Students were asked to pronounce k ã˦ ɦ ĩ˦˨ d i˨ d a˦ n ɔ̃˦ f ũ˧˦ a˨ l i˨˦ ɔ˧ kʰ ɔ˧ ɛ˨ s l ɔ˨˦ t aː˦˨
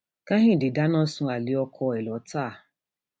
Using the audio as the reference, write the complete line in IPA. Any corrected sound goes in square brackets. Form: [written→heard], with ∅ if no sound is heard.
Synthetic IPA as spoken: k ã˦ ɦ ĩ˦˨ d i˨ d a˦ n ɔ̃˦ [f→s] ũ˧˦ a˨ l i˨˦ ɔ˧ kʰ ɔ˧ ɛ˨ [s→∅] l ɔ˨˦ t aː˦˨